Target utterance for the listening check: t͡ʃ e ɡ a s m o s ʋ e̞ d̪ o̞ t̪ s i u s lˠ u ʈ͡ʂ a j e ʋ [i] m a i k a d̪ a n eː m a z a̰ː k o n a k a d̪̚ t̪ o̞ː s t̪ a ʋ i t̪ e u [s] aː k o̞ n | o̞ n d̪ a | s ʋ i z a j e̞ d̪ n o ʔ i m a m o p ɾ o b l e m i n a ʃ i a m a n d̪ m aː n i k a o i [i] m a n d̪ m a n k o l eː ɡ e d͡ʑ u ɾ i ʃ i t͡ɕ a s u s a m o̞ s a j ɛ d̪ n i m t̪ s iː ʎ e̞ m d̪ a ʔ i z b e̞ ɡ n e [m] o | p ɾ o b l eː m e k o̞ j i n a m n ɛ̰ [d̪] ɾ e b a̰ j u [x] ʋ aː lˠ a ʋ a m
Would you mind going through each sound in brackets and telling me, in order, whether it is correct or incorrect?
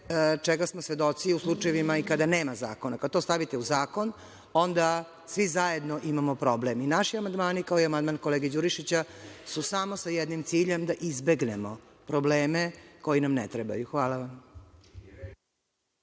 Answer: correct, incorrect: z, incorrect: a, correct, incorrect: t̪, correct

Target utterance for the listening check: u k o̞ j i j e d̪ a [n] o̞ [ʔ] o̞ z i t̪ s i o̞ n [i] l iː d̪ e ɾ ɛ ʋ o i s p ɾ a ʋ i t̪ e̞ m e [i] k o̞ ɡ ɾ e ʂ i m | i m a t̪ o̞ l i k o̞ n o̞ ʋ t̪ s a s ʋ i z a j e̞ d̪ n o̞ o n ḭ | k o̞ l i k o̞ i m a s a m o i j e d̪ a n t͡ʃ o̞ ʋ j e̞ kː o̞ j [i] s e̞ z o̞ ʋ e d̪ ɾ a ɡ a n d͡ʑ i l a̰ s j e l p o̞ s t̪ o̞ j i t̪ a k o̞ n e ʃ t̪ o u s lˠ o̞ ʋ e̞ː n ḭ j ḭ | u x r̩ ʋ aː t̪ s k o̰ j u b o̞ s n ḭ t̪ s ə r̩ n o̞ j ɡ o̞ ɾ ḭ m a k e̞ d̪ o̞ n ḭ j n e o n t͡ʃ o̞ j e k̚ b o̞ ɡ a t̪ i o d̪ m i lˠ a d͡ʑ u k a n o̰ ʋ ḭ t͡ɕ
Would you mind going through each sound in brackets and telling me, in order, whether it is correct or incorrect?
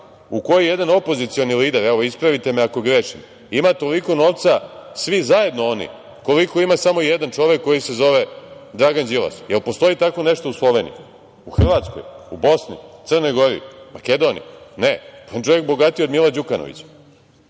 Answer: correct, incorrect: p, correct, incorrect: a, correct

